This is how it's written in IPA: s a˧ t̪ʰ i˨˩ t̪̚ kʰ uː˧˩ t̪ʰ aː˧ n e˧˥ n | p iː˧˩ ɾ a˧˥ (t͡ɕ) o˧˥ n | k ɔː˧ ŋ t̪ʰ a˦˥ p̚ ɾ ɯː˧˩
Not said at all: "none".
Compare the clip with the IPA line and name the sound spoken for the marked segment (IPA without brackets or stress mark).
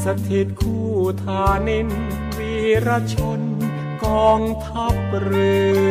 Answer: t͡ɕʰ